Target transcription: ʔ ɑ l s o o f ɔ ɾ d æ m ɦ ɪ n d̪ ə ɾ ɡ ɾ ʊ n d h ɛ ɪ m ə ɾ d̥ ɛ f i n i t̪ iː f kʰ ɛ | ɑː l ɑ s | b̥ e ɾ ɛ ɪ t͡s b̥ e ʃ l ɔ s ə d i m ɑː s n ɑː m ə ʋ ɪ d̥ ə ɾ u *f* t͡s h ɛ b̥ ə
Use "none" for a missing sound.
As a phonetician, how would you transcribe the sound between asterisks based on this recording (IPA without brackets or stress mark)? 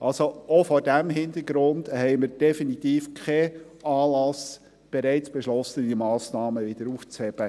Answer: f